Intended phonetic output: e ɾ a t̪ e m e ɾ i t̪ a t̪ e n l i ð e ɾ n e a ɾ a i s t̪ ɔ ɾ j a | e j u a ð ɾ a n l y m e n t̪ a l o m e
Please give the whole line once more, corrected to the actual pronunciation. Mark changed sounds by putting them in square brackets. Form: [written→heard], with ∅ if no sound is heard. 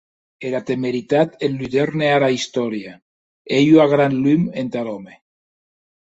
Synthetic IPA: e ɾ a t̪ e m e ɾ i t̪ a t̪ e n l [i→y] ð e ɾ n e a ɾ a i s t̪ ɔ ɾ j a | e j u a [ð→ɣ] ɾ a n l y m e n t̪ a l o m e